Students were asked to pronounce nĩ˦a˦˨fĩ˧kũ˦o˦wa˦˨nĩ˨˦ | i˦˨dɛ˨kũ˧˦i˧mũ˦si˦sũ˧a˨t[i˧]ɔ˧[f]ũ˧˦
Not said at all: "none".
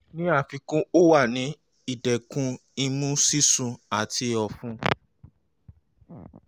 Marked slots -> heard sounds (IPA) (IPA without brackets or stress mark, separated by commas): i˧, f